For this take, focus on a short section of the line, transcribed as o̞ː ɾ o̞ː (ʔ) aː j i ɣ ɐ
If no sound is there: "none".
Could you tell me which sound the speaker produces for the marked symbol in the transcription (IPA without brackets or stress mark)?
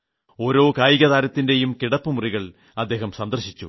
k